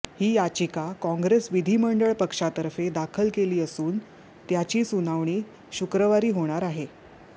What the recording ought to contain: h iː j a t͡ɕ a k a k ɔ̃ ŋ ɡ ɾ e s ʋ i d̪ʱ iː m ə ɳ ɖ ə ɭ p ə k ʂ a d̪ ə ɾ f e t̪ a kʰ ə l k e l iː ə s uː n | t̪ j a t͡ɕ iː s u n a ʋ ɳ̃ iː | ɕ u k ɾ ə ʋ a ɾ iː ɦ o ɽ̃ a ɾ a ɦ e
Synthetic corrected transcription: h iː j a t͡ɕ i k a k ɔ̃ ŋ ɡ ɾ e s ʋ i d̪ʱ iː m ə ɳ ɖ ə ɭ p ə k ʂ a t̪ ə ɾ f e d̪ a kʰ ə l k e l iː ə s uː n | t̪ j a t͡ɕ iː s u n a ʋ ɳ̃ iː | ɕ u k ɾ ə ʋ a ɾ iː ɦ o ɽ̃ a ɾ a ɦ e